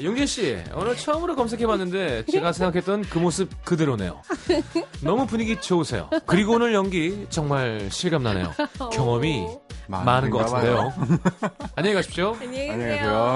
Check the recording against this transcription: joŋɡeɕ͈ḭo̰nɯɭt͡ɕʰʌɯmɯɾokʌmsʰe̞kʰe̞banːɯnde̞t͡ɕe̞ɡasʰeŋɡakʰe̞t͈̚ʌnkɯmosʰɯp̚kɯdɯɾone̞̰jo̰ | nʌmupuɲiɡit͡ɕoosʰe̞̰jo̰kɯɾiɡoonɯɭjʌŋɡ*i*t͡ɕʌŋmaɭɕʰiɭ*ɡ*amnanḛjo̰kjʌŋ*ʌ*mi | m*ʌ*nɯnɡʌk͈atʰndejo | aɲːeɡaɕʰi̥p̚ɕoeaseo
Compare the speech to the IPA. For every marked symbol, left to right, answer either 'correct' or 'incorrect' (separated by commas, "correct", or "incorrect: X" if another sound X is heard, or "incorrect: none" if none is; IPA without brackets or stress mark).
correct, correct, correct, incorrect: a